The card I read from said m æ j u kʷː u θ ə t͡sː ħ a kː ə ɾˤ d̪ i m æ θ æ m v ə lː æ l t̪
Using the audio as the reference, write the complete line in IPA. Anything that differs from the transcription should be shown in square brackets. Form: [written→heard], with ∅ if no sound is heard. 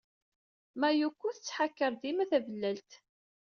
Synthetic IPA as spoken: m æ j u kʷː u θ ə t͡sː ħ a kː ə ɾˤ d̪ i m æ θ æ [m→∅] v ə lː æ l t̪